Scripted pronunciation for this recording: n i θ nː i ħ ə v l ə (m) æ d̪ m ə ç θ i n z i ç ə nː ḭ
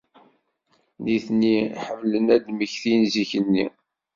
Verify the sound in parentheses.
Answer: incorrect: n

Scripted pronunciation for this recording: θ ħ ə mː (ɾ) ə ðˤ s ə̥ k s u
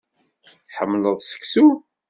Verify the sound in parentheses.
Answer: incorrect: l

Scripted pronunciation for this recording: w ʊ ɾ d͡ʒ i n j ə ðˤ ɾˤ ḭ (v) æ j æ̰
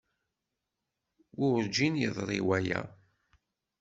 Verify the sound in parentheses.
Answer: incorrect: w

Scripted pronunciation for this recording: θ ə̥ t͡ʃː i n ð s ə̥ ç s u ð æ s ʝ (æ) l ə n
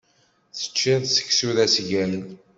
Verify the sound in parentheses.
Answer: correct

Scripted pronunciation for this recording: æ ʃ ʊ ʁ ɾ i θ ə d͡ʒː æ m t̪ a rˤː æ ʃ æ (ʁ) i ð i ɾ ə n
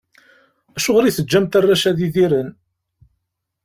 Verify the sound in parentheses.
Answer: incorrect: ð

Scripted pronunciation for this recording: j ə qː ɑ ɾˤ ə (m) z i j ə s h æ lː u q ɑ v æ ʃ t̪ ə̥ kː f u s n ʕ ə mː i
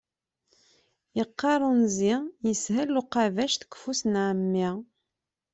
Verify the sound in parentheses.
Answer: incorrect: n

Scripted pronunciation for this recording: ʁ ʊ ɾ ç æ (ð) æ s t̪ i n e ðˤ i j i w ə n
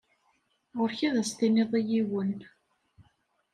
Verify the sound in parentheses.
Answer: correct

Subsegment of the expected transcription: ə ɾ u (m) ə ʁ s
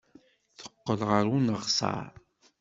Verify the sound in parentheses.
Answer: incorrect: n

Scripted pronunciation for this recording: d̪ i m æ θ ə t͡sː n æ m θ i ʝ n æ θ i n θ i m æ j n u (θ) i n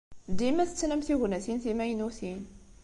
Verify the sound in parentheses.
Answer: correct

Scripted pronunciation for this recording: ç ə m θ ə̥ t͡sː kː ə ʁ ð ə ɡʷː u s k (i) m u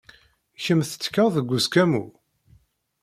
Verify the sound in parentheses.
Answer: incorrect: æ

